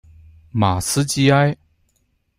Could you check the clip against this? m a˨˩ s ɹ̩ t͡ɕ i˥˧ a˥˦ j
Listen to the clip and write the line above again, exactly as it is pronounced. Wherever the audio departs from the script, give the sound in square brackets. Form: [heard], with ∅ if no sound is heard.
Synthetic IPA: m a˨˩ s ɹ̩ t͡ɕ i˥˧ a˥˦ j